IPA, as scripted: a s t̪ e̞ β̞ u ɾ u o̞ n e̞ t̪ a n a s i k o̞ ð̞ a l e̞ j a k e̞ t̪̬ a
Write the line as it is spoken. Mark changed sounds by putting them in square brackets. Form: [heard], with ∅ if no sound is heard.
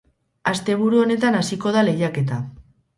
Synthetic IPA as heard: a s t̪ e̞ β̞ u ɾ u o̞ n e̞ t̪ a n a s i k o̞ ð̞ a l e̞ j a k e̞ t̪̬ a